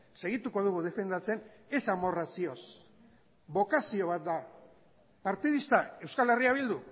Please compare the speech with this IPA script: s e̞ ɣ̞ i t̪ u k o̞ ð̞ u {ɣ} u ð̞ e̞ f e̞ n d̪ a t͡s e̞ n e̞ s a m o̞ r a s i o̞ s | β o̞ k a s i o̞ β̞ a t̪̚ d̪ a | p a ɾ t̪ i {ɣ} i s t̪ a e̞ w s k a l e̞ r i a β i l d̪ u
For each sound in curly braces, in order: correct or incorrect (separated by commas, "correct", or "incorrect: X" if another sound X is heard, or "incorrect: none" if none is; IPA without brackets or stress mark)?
correct, incorrect: ð